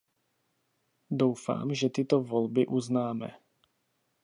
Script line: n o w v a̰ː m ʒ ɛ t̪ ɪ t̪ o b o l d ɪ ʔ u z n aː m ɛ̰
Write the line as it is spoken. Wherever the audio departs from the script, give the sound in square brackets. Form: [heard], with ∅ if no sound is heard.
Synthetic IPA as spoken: [d] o w [f] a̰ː m ʒ ɛ t̪ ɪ t̪ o [v] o l [b] ɪ ʔ u z n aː m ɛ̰

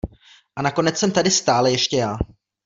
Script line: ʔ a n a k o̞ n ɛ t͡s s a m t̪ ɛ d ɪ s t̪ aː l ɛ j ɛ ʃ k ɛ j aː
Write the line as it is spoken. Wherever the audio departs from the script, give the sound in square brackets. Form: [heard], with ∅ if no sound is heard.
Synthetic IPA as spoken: ʔ a n a k o̞ n ɛ t͡s s [ɛ] m t̪ [a] d ɪ s t̪ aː l ɛ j ɛ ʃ [c] ɛ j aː

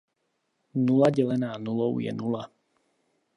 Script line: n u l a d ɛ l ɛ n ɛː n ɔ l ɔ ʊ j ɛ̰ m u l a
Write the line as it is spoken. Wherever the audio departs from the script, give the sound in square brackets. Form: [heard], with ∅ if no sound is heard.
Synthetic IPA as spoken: n u l a [ɟ] ɛ l ɛ n [aː] n [u] l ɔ ʊ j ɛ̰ [n] u l a

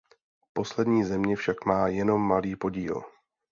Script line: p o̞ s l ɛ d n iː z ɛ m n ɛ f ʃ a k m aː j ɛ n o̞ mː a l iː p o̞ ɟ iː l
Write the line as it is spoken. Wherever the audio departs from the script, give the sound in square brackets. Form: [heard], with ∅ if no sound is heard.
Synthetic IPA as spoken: p o̞ s l ɛ d [ɲ] iː z ɛ m [ɲ] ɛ f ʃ a k m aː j ɛ n o̞ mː a l iː p o̞ ɟ iː l

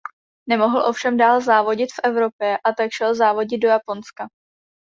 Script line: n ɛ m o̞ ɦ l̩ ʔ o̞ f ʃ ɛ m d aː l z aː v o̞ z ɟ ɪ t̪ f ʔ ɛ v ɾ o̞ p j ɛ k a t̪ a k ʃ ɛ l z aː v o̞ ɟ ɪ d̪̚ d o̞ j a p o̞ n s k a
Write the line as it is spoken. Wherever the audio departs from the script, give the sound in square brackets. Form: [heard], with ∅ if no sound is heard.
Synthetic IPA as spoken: n ɛ m o̞ ɦ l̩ ʔ o̞ f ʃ ɛ m d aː l z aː v o̞ [∅] ɟ ɪ t̪ f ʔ ɛ v ɾ o̞ p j ɛ [ʔ] a t̪ a k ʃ ɛ l z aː v o̞ ɟ ɪ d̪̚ d o̞ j a p o̞ n s k a

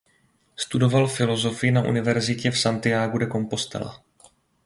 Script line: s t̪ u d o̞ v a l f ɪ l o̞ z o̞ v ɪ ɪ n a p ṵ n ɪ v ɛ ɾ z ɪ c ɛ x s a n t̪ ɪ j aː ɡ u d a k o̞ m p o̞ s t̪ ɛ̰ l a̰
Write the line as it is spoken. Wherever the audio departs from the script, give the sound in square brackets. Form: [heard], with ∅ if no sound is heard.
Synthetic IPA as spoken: s t̪ u d o̞ v a l f ɪ l o̞ z o̞ [f] ɪ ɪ n a [ʔ] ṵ n ɪ v ɛ ɾ z ɪ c ɛ [f] s a n t̪ ɪ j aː ɡ u d [ɛ] k o̞ m p o̞ s t̪ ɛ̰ l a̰

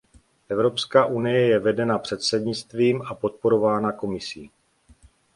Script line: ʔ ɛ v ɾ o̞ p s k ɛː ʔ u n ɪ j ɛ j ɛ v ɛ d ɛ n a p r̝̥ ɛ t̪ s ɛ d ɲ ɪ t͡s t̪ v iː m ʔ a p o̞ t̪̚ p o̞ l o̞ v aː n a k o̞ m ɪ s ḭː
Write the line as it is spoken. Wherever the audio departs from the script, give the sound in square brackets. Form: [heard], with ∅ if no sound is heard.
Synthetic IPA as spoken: ʔ ɛ v ɾ o̞ p s k [aː] ʔ u n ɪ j ɛ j ɛ v ɛ d ɛ n a p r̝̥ ɛ t̪ s ɛ d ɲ ɪ t͡s t̪ v iː m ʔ a p o̞ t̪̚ p o̞ [ɾ] o̞ v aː n a k o̞ m ɪ s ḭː

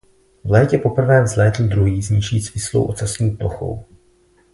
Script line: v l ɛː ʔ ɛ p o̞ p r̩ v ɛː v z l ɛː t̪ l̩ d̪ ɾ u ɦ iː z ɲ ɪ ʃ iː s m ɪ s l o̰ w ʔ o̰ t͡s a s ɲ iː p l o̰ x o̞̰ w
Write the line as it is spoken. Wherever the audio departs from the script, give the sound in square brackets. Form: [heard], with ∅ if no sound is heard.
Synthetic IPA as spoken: v l ɛː [c] ɛ p o̞ p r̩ v ɛː v z l ɛː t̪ l̩ d̪ ɾ u ɦ iː z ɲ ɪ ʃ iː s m ɪ s l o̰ w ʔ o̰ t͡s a s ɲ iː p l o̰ x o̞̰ w

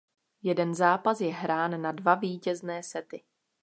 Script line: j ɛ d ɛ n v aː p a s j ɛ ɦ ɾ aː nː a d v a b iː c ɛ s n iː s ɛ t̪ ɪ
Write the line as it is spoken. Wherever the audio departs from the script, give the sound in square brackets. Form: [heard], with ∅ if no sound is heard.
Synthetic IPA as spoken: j ɛ d ɛ n [z] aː p a s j ɛ ɦ ɾ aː nː a d v a [v] iː c ɛ [z] n [ɛː] s ɛ t̪ ɪ

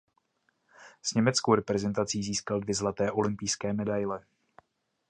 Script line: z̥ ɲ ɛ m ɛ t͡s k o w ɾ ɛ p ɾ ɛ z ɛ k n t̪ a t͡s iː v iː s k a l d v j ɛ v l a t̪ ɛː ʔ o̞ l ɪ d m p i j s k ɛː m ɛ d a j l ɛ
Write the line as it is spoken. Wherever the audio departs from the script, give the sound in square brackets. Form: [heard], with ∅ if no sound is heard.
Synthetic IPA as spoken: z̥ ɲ ɛ m ɛ t͡s k o w ɾ ɛ p ɾ ɛ z ɛ [∅] n t̪ a t͡s iː [z] iː s k a l d v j ɛ [z] l a t̪ ɛː ʔ o̞ l ɪ [∅] m p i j s k ɛː m ɛ d a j l ɛ

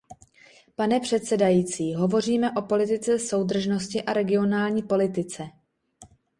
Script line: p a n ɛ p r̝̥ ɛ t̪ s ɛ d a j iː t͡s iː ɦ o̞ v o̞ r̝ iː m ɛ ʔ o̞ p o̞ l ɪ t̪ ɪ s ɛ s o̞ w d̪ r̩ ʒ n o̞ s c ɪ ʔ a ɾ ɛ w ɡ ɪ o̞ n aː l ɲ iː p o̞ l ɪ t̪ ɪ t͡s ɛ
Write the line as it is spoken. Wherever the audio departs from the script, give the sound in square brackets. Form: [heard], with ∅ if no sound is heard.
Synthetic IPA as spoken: p a n ɛ p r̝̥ ɛ t̪ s ɛ d a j iː t͡s iː ɦ o̞ v o̞ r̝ iː m ɛ ʔ o̞ p o̞ l ɪ t̪ ɪ [t͡s] ɛ s o̞ w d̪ r̩ ʒ n o̞ s c ɪ ʔ a ɾ ɛ [∅] ɡ ɪ o̞ n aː l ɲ iː p o̞ l ɪ t̪ ɪ t͡s ɛ

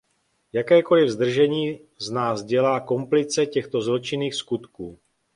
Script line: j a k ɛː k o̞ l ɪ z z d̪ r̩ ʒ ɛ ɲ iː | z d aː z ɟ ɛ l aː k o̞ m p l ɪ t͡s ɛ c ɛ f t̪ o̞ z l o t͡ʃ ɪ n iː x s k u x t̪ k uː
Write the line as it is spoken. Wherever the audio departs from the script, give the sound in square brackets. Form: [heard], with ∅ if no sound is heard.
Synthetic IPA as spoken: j a k ɛː k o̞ l ɪ [v] z d̪ r̩ ʒ ɛ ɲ iː | z [n] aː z ɟ ɛ l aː k o̞ m p l ɪ t͡s ɛ c ɛ [x] t̪ o̞ z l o t͡ʃ ɪ n iː x s k u [∅] t̪ k uː

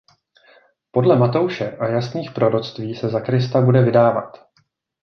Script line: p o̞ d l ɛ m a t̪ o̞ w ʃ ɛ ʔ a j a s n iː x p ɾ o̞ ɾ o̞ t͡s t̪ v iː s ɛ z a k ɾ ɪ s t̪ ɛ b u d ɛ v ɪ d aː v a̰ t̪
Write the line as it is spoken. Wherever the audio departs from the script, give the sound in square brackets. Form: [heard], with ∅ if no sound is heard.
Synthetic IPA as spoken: p o̞ d l ɛ m a t̪ o̞ w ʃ ɛ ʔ a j a s n iː x p ɾ o̞ ɾ o̞ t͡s t̪ v iː s ɛ z a k ɾ ɪ s t̪ [a] b u d ɛ v ɪ d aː v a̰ t̪

